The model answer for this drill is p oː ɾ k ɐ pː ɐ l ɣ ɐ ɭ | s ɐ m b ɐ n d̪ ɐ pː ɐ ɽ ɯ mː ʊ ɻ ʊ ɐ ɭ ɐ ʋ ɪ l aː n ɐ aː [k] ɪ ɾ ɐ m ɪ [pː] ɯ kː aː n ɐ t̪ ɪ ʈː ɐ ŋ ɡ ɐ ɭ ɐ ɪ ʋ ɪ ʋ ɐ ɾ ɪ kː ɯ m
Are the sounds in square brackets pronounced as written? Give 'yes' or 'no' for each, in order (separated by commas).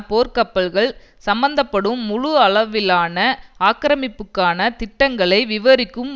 yes, yes